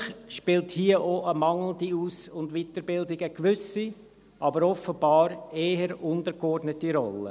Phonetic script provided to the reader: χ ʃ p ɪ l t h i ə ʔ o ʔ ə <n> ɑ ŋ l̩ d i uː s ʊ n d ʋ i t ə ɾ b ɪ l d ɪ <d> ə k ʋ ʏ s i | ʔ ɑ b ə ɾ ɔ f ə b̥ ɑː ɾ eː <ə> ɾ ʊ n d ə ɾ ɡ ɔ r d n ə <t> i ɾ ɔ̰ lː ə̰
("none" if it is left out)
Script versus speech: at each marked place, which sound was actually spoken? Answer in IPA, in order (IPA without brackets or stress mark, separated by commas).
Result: m, ɡ, ə, t